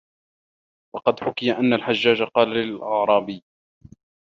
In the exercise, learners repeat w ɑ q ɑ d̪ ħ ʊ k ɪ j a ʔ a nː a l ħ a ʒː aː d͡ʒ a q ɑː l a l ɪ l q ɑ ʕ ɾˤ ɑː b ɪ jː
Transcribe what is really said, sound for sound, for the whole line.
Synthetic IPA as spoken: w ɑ q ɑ d̪ ħ ʊ k ɪ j a ʔ a nː a l ħ a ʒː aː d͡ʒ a q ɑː l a l ɪ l ʔ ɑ ʕ ɾˤ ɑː b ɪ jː